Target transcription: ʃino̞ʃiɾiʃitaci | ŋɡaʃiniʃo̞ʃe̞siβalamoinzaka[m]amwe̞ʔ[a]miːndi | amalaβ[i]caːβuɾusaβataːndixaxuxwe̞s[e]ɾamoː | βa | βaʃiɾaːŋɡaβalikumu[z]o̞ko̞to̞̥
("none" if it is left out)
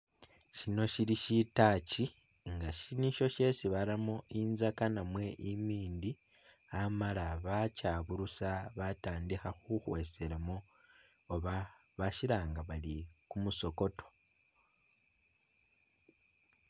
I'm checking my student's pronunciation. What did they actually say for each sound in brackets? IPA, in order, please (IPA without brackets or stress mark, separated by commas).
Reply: n, i, a, e, s